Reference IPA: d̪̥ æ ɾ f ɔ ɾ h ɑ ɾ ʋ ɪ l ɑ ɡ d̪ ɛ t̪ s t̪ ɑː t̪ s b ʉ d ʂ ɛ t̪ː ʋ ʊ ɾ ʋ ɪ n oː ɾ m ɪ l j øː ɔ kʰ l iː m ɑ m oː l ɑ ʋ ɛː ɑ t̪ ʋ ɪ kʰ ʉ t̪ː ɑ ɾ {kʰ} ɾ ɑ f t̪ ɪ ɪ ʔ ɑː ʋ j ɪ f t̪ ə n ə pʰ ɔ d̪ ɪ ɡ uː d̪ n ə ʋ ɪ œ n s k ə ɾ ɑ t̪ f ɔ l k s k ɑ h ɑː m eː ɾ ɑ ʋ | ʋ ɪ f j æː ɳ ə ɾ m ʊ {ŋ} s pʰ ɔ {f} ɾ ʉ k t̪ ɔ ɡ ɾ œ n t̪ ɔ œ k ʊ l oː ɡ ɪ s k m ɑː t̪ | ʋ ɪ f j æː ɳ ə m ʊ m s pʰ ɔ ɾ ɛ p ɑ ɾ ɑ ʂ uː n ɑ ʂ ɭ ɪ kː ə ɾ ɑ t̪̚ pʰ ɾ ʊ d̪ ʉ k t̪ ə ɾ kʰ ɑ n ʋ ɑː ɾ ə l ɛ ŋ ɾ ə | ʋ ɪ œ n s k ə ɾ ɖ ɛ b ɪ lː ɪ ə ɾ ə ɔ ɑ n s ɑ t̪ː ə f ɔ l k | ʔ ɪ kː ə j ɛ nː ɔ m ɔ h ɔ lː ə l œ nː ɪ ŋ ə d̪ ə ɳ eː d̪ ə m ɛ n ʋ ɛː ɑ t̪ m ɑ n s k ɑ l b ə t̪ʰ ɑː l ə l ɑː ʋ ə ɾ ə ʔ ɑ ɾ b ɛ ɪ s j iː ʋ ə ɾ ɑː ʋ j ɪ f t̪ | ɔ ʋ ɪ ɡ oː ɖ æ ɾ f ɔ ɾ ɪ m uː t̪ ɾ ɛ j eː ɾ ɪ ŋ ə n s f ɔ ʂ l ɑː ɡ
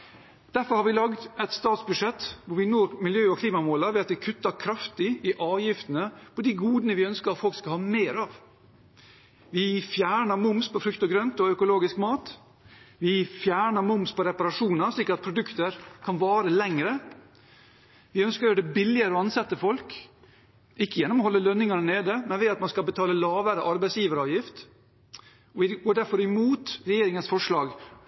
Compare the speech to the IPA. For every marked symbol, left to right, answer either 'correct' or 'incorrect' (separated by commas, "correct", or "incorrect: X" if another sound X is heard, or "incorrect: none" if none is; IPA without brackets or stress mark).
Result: correct, incorrect: m, correct